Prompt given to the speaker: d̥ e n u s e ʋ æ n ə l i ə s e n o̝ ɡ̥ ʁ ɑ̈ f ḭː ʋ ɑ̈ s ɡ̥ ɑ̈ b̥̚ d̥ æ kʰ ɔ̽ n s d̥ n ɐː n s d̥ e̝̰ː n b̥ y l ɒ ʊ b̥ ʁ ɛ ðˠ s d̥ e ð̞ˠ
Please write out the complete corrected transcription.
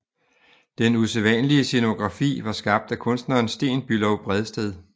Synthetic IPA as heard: d̥ e n u s e ʋ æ n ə l i ə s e n o̝ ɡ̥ ʁ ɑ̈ f ḭː ʋ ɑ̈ s ɡ̥ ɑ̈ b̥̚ d̥ æ kʰ ɔ̽ n s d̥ n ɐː n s d̥ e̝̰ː n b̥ y l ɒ ʊ b̥ ʁ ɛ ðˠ s d̥ e ð̞ˠ